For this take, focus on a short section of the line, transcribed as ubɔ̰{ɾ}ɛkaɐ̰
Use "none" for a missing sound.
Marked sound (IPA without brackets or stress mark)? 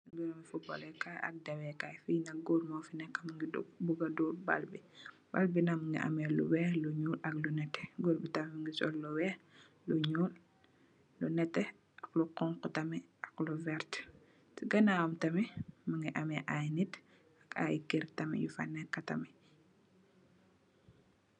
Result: l